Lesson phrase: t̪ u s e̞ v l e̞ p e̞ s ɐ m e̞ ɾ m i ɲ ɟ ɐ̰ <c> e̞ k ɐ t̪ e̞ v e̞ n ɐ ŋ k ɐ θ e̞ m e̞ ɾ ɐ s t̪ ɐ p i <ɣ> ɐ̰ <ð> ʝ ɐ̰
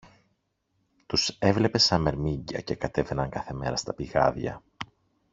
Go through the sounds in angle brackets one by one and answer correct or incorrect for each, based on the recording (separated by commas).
correct, correct, correct